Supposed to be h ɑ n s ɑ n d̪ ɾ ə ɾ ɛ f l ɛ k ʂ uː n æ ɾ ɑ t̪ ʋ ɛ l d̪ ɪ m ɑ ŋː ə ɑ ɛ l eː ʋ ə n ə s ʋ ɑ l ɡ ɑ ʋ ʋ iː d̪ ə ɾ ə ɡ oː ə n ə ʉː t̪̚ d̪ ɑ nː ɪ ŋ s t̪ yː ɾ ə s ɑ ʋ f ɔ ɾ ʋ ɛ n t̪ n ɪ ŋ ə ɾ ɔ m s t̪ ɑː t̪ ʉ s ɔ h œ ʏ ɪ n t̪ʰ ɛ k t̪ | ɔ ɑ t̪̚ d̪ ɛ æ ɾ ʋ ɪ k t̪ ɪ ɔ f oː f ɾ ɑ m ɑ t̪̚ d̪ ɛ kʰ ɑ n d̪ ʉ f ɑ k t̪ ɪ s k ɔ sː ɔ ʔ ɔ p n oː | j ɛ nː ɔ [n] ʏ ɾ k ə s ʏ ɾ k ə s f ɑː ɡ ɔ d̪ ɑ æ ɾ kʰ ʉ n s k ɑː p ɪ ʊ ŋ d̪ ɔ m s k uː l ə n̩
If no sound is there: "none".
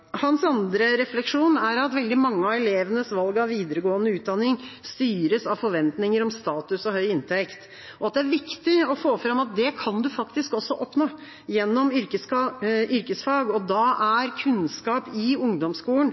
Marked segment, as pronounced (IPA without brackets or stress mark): m